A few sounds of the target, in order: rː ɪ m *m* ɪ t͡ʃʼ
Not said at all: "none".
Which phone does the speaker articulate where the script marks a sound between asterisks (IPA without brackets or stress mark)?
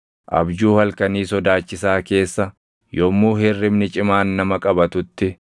n